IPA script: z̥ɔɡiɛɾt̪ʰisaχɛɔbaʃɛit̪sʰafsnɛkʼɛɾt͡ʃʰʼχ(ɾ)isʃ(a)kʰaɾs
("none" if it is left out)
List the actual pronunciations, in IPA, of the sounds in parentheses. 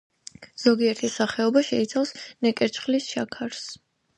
l, a

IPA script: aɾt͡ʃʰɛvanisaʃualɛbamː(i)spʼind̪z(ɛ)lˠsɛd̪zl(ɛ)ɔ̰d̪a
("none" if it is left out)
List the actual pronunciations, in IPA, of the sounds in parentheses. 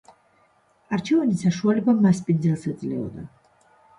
a, ɛ, ɛ

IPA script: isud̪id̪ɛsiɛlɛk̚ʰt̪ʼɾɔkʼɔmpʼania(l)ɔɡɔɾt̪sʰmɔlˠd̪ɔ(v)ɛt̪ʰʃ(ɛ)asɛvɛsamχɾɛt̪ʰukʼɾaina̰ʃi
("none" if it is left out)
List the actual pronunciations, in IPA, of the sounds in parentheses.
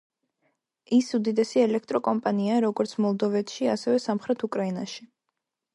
ɾ, v, i

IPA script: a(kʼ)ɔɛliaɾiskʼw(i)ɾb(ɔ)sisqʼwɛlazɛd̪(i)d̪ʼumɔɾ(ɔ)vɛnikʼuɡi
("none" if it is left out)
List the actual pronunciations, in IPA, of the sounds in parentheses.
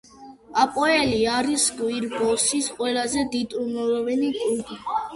pʼ, i, ɔ, i, ɔ

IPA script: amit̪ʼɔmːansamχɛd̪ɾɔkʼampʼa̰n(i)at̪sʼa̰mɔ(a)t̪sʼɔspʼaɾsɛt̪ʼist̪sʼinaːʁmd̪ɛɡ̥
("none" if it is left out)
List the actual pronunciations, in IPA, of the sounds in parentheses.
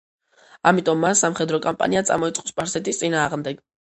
i, i

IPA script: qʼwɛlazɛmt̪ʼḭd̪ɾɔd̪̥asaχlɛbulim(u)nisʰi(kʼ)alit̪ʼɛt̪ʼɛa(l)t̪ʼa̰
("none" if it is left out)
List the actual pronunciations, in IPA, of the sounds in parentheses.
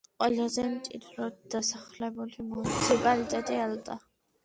u, pʼ, l

